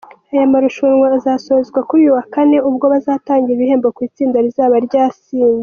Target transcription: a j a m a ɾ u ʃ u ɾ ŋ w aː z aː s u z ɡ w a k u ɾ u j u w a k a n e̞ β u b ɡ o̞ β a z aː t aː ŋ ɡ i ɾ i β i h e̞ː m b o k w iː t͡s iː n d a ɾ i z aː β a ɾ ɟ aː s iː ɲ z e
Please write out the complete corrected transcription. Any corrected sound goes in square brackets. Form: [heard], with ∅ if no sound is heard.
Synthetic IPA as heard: a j a m a ɾ u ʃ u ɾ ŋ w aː z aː s [o] z ɡ w a k u ɾ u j u w a k a n e̞ [∅] u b ɡ o̞ β a z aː t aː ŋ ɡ i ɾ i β i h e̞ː m b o k w iː t͡s iː n d a ɾ i z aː β a ɾ ɟ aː s iː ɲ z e

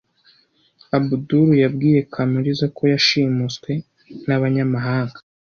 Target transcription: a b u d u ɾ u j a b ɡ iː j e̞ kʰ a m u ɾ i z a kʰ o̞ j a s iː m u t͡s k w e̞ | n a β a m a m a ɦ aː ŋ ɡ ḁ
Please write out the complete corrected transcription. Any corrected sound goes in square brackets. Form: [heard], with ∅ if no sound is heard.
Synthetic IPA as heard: a b u d u ɾ u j a b ɡ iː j e̞ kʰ a m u ɾ i z a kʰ o̞ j a [ʃ] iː m u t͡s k w e̞ | n a β a [ɲ] a m a ɦ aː ŋ ɡ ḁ

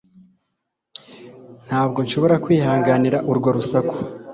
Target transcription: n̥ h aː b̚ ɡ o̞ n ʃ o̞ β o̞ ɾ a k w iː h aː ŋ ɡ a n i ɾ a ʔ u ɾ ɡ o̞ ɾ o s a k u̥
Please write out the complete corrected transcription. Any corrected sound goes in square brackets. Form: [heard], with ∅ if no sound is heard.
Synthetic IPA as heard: n̥ h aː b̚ ɡ o̞ n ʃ o̞ β o̞ ɾ a k w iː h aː ŋ ɡ a n i ɾ a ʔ u ɾ ɡ o̞ ɾ [u] s a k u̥

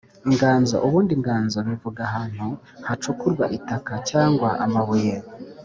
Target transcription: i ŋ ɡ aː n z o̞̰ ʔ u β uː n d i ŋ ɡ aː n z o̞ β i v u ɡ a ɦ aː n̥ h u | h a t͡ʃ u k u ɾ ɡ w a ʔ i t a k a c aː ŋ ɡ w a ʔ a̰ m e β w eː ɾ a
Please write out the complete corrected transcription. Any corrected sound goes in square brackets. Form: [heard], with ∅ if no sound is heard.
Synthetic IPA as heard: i ŋ ɡ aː n z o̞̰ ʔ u β uː n d i ŋ ɡ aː n z o̞ β i v u ɡ a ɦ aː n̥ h u | h a t͡ʃ u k u ɾ ɡ w a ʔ i t a k a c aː ŋ ɡ w a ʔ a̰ m [a] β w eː ɾ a

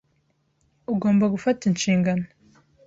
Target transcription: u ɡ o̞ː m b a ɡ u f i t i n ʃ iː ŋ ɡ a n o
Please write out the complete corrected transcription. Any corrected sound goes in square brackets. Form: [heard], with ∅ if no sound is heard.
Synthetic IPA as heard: u ɡ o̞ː m b a ɡ u f [a] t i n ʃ iː ŋ ɡ a n o

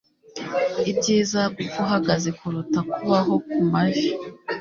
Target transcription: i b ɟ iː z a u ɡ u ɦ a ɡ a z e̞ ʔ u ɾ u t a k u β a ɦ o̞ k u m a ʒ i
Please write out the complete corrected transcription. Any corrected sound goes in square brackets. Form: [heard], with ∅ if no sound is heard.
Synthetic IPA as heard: i b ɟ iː z a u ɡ u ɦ a ɡ a z e̞ [k] u ɾ u t a k u β a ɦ o̞ k u m a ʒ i

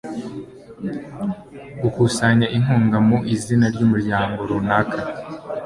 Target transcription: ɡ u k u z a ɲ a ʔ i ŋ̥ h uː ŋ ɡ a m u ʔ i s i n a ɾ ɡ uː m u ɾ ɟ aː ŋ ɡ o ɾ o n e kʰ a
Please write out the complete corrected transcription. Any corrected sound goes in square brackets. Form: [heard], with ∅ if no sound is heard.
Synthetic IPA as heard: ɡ u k u [s] a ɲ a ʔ i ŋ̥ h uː ŋ ɡ a m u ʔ i [z] i n a ɾ [ɟ] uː m u ɾ ɟ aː ŋ ɡ o ɾ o n [a] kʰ a

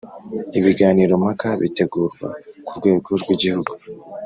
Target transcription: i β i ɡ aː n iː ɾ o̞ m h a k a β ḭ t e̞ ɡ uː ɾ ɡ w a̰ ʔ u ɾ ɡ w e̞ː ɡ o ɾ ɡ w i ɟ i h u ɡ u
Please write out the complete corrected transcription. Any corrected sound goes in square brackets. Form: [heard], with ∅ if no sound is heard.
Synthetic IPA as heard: i β i ɡ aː n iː ɾ o̞ m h a k a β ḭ t e̞ ɡ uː ɾ ɡ w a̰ [k] u ɾ ɡ w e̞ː ɡ o ɾ ɡ w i ɟ i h u ɡ u

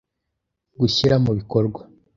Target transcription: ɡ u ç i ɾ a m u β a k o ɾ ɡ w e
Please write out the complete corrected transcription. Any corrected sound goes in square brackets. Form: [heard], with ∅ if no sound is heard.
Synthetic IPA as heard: ɡ u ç i ɾ a m u β [i] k o ɾ ɡ w [a]

